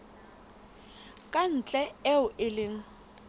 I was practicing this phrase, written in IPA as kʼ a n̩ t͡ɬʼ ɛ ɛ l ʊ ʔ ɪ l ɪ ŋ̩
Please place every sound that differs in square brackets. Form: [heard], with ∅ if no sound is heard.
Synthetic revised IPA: kʼ a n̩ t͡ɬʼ ɛ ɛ [∅] ʊ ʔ ɪ l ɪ ŋ̩